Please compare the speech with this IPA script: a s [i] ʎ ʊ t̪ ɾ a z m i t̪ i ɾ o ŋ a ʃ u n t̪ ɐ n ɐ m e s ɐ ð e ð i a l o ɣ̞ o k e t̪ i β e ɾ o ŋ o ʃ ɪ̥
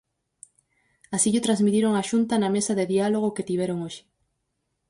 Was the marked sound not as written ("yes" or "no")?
no